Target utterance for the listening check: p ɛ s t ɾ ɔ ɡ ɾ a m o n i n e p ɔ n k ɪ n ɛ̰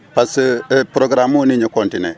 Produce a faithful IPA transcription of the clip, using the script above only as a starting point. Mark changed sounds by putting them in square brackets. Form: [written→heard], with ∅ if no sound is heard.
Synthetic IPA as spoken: p [ɛ→a] s [t→p] ɾ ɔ ɡ ɾ a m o n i [n→ɲ] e [p→k] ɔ n [k→t] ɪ n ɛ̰